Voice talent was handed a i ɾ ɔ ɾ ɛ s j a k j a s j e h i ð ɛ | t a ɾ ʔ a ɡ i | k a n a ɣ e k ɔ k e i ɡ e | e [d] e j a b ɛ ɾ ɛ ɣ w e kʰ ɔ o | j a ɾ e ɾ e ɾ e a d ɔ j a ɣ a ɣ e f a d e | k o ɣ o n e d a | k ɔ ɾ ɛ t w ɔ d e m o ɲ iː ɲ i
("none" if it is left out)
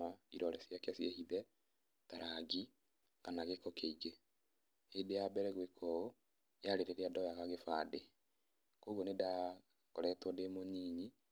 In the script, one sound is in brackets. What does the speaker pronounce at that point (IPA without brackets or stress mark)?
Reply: d